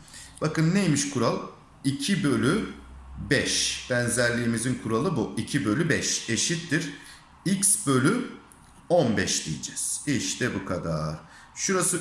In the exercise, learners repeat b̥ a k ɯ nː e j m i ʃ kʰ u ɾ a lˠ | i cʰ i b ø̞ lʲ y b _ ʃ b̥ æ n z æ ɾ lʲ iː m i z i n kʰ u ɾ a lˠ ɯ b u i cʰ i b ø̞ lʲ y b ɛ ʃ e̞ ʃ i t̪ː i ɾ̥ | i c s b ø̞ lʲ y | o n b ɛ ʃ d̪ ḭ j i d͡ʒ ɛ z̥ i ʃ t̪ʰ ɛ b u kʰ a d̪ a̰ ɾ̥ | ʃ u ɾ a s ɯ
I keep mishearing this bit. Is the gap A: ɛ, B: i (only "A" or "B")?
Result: A